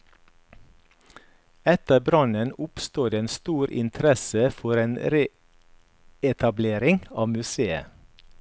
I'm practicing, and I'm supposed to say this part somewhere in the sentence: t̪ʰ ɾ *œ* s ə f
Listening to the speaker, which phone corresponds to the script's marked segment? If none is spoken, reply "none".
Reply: ɛ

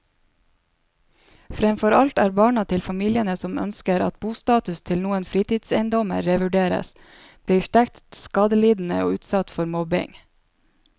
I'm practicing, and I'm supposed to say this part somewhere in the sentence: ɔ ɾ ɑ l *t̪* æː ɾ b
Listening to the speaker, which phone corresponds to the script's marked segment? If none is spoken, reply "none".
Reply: t̪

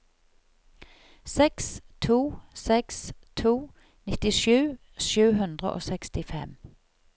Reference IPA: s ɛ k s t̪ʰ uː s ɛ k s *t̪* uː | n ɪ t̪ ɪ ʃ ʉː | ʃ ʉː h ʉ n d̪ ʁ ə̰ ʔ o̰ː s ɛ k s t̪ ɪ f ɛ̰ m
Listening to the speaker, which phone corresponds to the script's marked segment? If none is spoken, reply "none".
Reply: t̪ʰ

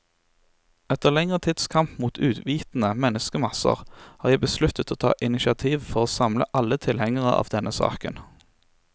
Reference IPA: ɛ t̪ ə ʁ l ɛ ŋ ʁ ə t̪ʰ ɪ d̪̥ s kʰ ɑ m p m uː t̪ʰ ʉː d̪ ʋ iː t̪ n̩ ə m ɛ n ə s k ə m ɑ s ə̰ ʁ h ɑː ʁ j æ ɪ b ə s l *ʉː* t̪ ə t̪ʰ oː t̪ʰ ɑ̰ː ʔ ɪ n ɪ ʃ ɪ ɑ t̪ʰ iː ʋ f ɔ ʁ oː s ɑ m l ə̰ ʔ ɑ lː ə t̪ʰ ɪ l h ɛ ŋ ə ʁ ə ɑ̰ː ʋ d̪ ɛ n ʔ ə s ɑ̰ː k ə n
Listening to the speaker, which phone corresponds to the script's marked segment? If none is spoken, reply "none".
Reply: ʉ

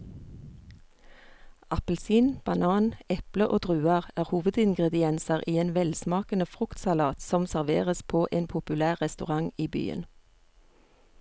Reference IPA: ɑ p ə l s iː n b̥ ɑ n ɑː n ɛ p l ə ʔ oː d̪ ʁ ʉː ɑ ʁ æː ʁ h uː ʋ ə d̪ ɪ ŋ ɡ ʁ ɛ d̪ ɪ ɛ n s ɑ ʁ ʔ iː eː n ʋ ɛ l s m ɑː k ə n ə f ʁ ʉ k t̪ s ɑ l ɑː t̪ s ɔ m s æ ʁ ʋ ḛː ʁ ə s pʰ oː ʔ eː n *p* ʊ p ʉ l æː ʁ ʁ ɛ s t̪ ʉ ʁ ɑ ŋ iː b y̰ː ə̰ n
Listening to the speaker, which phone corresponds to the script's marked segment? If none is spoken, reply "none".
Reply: pʰ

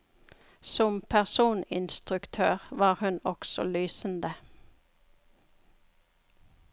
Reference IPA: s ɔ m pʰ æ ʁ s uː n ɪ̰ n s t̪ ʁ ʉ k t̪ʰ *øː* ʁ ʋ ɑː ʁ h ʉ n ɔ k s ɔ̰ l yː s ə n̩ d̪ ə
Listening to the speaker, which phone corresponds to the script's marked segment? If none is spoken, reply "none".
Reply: øː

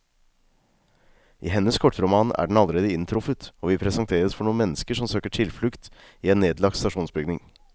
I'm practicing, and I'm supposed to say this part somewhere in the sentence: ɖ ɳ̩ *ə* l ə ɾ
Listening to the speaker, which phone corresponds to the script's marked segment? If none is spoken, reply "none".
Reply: ɑ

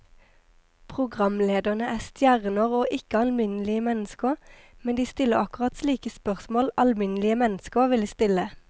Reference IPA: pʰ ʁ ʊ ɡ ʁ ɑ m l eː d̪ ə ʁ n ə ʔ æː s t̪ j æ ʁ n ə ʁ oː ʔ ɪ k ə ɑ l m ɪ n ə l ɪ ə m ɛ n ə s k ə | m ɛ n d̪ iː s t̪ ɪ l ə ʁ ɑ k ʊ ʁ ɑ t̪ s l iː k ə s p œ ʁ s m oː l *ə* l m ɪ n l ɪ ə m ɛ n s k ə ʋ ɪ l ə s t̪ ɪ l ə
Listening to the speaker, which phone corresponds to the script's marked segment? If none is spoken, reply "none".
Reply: ɑ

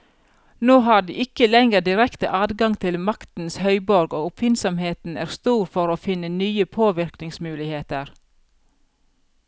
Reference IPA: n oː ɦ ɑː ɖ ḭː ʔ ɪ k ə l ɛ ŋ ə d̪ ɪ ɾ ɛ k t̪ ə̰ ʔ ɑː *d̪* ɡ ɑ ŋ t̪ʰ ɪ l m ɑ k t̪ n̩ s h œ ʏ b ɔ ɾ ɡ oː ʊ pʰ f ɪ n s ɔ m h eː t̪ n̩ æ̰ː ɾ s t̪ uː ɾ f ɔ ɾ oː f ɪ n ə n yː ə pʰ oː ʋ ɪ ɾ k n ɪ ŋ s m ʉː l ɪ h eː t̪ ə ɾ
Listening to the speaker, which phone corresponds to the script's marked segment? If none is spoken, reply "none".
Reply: d̪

